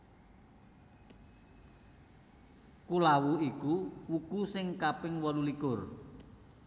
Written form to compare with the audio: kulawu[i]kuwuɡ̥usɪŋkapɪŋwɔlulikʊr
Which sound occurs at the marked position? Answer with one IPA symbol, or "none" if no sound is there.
i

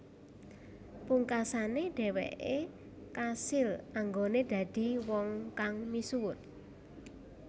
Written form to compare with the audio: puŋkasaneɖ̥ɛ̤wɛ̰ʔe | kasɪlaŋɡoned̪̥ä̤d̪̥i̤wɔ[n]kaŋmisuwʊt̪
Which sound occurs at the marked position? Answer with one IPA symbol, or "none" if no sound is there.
ŋ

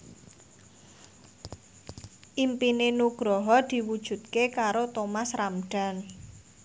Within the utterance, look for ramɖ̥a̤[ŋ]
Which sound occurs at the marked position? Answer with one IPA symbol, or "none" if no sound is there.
n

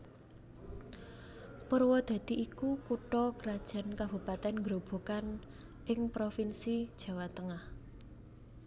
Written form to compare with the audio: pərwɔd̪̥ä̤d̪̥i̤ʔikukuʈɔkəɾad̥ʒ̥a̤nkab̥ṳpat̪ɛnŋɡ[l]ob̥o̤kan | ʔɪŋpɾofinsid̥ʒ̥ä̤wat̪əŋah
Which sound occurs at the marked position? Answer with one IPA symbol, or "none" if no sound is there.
ɾ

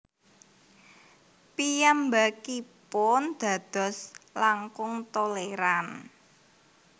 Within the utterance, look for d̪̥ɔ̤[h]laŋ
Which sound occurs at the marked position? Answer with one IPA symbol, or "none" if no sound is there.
s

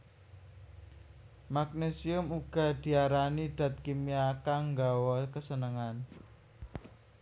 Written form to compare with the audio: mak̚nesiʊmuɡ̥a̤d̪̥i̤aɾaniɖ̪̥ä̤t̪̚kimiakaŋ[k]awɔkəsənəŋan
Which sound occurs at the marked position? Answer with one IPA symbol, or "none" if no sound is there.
ɡ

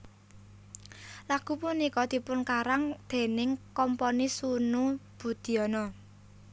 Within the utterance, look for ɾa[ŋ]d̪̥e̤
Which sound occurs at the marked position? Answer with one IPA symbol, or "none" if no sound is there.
ŋ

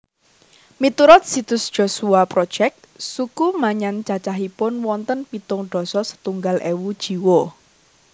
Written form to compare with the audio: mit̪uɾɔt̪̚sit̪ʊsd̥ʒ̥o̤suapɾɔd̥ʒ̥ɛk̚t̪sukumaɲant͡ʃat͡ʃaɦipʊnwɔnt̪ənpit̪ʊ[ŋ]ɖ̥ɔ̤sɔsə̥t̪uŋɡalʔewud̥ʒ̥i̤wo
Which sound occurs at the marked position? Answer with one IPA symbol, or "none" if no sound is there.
ŋ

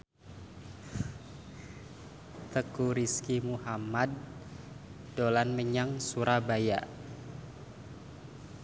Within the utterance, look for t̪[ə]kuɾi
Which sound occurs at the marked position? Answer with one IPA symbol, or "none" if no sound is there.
ə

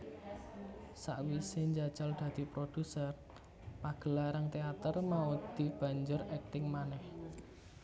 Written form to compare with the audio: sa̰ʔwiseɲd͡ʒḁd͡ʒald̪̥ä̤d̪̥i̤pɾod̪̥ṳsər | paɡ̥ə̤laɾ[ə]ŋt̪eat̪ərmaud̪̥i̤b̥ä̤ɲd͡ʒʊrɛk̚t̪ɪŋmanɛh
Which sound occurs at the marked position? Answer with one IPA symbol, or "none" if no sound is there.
a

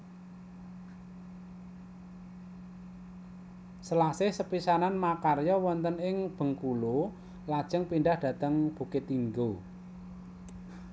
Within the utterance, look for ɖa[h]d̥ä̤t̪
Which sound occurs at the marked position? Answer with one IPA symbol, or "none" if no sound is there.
h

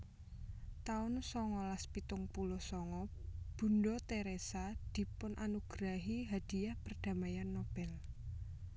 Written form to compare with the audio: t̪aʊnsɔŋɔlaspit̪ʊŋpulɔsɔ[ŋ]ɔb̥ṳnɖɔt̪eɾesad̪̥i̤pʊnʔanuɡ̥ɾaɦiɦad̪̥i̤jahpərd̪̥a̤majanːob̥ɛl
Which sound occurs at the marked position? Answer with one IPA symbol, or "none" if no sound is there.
ŋ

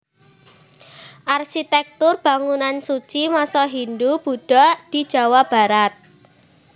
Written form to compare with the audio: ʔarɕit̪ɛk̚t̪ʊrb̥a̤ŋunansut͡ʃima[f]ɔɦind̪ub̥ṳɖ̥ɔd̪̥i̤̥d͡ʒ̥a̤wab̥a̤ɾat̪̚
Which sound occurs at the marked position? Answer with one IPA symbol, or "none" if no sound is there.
s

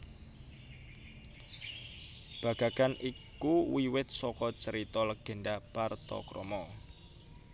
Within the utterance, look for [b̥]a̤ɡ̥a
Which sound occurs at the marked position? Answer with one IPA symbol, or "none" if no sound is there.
b̥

